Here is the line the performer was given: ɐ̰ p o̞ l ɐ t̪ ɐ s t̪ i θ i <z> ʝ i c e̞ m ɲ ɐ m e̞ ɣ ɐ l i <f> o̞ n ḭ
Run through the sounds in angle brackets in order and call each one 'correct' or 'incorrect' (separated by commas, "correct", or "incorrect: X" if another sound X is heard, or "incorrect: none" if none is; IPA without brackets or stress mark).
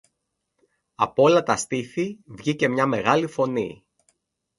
incorrect: v, correct